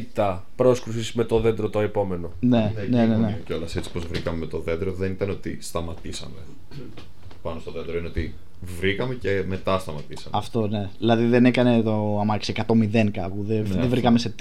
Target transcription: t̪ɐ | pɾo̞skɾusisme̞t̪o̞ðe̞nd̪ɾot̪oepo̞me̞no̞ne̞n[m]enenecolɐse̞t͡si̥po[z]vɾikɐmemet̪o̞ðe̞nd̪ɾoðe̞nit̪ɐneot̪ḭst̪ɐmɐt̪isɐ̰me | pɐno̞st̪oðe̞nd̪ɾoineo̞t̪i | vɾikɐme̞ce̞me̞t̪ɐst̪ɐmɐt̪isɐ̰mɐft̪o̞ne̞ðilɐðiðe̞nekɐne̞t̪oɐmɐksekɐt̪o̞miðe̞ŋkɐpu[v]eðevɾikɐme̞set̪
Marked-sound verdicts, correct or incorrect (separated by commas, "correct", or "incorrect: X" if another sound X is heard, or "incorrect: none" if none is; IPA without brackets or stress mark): incorrect: n, correct, incorrect: ð